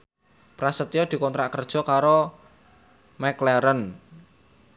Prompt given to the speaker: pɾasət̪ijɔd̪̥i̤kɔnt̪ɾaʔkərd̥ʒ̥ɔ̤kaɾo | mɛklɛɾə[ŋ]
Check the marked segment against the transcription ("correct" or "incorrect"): incorrect